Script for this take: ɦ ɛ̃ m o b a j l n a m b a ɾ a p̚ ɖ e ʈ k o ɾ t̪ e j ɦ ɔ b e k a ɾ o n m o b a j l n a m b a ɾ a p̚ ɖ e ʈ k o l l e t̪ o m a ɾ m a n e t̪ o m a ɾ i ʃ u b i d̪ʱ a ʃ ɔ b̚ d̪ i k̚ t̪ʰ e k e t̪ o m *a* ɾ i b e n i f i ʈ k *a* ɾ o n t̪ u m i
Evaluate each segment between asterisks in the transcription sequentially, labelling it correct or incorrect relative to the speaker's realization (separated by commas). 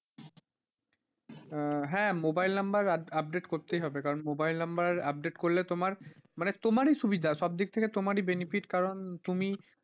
correct, correct